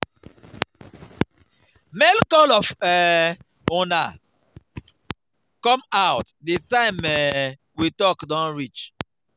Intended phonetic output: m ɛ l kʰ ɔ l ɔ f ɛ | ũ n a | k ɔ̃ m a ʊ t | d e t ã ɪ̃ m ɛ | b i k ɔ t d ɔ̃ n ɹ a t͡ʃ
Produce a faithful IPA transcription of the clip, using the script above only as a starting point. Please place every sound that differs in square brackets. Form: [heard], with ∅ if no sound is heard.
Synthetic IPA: m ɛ l [k] ɔ l ɔ f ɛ | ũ n a | k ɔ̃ m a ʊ t | d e t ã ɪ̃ m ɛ | [w] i [t] ɔ [k] d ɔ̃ n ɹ [i] t͡ʃ